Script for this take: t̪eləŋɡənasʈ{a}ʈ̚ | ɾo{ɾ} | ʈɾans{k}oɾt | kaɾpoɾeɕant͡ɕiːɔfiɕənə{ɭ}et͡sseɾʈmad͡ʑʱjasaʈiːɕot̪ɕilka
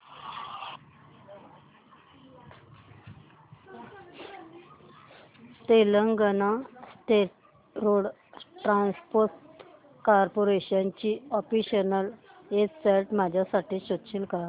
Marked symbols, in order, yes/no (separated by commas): no, no, no, no